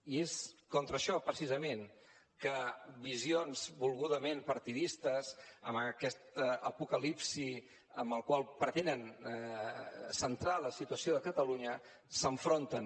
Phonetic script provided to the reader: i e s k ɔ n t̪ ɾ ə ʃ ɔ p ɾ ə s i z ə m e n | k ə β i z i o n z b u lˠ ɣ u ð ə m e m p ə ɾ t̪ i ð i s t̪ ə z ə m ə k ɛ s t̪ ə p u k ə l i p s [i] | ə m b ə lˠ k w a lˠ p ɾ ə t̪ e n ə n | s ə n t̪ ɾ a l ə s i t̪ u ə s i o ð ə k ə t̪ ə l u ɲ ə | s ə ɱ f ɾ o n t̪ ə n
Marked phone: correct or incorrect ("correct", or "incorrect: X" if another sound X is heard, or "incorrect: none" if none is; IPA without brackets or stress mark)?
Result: correct